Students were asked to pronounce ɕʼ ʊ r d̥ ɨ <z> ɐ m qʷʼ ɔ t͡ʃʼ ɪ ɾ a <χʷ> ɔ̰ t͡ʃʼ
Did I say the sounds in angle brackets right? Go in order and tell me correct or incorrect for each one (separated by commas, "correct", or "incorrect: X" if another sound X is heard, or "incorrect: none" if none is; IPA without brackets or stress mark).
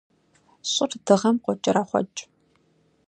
incorrect: ʁ, correct